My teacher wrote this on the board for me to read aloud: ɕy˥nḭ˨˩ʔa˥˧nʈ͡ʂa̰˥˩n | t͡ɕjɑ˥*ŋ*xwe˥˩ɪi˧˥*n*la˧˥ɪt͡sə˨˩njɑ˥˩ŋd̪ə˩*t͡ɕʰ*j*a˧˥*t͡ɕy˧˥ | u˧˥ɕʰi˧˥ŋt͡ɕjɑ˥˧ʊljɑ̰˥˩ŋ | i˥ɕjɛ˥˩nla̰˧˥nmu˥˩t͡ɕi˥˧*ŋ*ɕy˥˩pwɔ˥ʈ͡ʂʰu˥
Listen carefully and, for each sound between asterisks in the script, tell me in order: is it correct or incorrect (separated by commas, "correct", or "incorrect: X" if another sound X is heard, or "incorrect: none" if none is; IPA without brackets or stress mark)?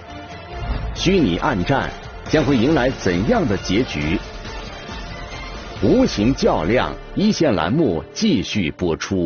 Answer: correct, incorrect: ŋ, incorrect: t͡ɕ, incorrect: ɛ˧˥, incorrect: none